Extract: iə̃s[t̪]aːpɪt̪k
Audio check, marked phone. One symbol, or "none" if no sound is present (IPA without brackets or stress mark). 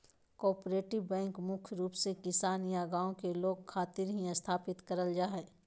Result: t̪ʰ